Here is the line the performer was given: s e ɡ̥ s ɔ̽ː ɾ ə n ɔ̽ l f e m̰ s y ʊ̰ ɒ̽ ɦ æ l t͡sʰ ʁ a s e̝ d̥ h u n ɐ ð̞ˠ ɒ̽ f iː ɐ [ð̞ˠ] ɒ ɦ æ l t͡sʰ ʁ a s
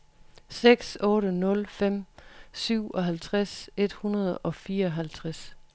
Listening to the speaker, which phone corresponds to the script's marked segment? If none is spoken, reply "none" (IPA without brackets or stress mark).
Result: none